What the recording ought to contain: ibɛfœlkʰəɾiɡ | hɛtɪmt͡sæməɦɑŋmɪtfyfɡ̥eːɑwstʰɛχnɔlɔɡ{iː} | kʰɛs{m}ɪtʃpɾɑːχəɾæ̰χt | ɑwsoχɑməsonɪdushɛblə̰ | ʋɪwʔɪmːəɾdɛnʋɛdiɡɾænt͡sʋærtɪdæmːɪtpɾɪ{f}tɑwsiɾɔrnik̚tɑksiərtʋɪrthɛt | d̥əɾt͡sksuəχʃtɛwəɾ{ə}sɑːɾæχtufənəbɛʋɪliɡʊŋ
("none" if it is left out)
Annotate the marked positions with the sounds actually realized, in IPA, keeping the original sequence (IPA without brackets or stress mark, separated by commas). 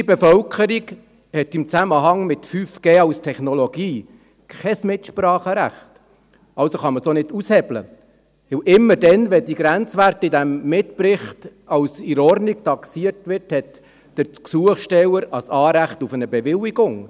iː, m, χ, ɑ